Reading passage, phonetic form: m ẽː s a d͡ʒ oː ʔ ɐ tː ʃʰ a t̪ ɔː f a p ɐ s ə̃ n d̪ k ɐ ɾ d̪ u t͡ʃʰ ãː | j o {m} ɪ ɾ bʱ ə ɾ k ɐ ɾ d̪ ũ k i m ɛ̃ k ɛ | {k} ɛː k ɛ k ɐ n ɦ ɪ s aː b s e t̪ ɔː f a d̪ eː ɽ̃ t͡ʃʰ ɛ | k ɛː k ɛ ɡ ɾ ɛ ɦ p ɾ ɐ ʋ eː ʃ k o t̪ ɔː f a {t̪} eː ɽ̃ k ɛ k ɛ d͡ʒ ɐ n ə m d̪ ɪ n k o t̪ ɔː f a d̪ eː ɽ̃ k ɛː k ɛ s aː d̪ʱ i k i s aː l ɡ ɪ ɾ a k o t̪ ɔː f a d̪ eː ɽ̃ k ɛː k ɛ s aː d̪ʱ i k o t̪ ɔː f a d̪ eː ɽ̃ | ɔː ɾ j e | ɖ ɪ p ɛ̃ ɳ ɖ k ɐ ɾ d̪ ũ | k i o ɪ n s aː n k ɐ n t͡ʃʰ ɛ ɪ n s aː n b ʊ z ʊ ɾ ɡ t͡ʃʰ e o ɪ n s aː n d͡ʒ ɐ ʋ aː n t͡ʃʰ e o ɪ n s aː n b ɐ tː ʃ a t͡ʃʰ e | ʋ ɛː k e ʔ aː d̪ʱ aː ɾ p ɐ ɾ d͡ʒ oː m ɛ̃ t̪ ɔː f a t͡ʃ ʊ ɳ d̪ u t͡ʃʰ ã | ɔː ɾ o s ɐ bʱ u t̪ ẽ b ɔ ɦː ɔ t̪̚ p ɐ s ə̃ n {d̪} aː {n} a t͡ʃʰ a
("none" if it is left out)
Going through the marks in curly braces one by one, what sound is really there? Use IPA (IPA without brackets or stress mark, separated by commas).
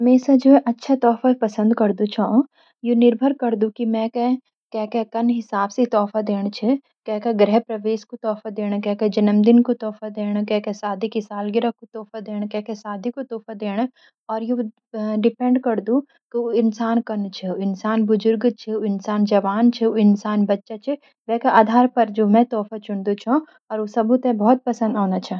n, k, d̪, d̪, n